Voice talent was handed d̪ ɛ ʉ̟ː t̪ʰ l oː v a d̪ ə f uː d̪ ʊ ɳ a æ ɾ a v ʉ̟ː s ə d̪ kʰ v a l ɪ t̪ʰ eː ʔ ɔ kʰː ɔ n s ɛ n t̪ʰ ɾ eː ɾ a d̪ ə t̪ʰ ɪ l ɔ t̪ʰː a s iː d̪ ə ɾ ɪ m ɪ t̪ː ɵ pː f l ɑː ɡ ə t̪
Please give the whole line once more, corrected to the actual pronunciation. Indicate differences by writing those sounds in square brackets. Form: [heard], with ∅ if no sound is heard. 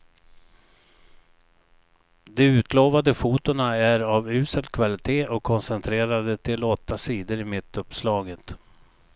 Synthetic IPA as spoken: d̪ ɛ ʉ̟ː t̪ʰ l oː v a d̪ ə f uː [t̪] ʊ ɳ a æ ɾ a v ʉ̟ː s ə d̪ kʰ v a l ɪ t̪ʰ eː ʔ ɔ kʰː ɔ n s ɛ n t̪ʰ ɾ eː ɾ a d̪ ə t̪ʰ ɪ l ɔ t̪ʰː a s iː d̪ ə ɾ ɪ m ɪ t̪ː ɵ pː [s] l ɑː ɡ ə t̪

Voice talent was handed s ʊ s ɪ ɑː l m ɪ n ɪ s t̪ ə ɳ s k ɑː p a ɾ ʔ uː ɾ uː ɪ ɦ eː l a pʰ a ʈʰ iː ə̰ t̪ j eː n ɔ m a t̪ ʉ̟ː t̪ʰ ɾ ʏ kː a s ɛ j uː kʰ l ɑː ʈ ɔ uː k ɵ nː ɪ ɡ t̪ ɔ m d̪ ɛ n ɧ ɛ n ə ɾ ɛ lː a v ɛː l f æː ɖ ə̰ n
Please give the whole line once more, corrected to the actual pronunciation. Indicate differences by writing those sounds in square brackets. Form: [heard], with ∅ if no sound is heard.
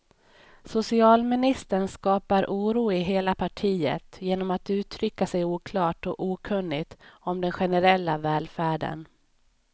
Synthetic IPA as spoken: s ʊ s ɪ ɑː l m ɪ n ɪ s t̪ ə ɳ s k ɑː p a ɾ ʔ uː ɾ uː ɪ ɦ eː l a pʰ a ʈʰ iː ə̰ t̪ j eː n ɔ m a t̪ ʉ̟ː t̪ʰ ɾ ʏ kː a s ɛ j uː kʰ l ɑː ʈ ɔ uː [kʰ] ɵ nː ɪ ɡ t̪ ɔ m d̪ ɛ n ɧ ɛ n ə ɾ ɛ lː a v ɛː l f æː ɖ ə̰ n

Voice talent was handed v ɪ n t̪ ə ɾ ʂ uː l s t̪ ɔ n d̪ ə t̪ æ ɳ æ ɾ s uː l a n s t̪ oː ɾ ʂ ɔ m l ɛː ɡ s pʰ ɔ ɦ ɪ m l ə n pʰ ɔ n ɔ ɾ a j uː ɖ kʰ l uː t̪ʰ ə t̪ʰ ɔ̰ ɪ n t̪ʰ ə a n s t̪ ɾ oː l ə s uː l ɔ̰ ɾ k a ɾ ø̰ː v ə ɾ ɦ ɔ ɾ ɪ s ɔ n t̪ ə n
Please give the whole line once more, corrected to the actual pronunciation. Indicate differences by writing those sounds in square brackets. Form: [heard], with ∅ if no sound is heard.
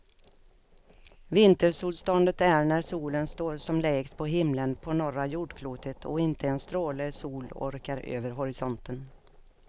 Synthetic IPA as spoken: v ɪ n t̪ ə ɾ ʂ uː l s t̪ ɔ n d̪ ə t̪ æ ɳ æ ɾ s uː l [ə] n s t̪ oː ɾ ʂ ɔ m l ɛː ɡ s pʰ ɔ ɦ ɪ m l ə n pʰ ɔ n ɔ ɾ a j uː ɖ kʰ l uː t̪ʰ ə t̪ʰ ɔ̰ ɪ n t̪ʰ ə [ɛ] n s t̪ ɾ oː l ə s uː l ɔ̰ ɾ k a ɾ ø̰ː v ə ɾ ɦ ɔ ɾ ɪ s ɔ n t̪ ə n

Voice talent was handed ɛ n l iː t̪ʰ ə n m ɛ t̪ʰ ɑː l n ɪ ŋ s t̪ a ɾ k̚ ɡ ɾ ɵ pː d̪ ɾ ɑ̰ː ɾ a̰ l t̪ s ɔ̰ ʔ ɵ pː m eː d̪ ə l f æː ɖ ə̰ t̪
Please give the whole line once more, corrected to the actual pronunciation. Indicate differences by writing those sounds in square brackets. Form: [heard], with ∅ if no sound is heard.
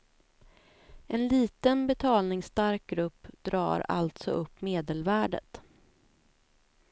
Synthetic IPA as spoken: ɛ n l iː [t̪] ə n [b] ɛ t̪ʰ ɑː l n ɪ ŋ s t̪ a ɾ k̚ ɡ ɾ ɵ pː d̪ ɾ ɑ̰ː ɾ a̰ l t̪ s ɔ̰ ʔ ɵ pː m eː d̪ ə l [v] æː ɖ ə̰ t̪

